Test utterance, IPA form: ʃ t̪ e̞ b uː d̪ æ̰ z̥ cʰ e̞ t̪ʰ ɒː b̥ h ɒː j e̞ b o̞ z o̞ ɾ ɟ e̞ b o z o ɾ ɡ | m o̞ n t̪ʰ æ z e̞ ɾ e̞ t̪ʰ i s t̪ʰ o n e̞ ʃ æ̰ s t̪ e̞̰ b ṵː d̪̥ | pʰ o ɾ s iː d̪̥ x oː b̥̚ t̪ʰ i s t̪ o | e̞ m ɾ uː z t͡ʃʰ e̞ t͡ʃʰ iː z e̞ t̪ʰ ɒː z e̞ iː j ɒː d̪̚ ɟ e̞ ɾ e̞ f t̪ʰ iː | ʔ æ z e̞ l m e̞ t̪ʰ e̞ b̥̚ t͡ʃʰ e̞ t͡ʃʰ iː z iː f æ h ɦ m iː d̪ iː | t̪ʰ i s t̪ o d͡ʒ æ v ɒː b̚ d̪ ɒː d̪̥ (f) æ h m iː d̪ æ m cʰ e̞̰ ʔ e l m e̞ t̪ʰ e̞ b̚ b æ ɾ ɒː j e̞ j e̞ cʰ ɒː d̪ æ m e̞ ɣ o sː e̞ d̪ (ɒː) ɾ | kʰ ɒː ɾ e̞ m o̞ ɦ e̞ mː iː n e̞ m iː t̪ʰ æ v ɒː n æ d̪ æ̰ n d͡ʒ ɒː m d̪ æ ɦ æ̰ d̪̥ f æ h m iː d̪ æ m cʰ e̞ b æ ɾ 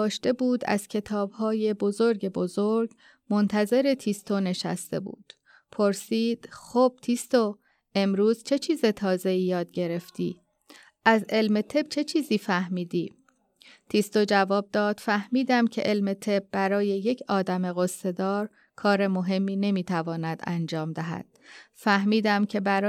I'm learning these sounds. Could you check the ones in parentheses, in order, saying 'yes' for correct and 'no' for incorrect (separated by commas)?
yes, yes